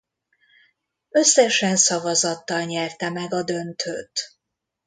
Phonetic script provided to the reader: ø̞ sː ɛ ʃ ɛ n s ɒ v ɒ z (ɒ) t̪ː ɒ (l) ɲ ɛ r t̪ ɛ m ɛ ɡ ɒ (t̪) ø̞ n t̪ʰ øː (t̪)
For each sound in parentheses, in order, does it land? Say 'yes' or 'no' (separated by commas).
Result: yes, yes, no, yes